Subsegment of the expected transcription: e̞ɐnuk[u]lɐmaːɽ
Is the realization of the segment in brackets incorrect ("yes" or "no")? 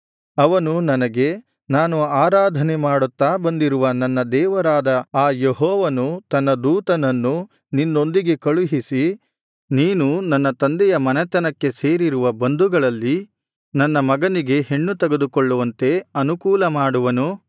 yes